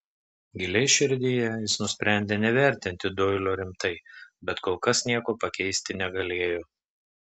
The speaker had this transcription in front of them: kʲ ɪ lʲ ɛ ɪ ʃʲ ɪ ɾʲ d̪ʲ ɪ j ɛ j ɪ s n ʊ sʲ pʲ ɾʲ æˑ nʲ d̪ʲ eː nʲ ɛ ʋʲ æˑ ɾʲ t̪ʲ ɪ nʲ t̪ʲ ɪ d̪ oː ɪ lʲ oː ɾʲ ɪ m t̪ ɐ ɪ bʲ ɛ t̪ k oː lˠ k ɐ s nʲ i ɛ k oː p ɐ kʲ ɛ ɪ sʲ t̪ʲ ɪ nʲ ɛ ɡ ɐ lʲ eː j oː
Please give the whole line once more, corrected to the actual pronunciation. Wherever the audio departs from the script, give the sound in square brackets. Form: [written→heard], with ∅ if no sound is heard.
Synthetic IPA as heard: [kʲ→ɡʲ] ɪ lʲ ɛ ɪ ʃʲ ɪ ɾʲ d̪ʲ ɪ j ɛ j ɪ s n ʊ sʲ pʲ ɾʲ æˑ nʲ d̪ʲ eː nʲ ɛ ʋʲ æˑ ɾʲ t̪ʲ ɪ nʲ t̪ʲ ɪ d̪ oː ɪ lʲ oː ɾʲ ɪ m t̪ ɐ ɪ bʲ ɛ t̪ k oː lˠ k ɐ s nʲ i ɛ k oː p ɐ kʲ ɛ ɪ sʲ t̪ʲ ɪ nʲ ɛ ɡ ɐ lʲ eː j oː